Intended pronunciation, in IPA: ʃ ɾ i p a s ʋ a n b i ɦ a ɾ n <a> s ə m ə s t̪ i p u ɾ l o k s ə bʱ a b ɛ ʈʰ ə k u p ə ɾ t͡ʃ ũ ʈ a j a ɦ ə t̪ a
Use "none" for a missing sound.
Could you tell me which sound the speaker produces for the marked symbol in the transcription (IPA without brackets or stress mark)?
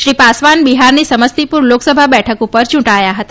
i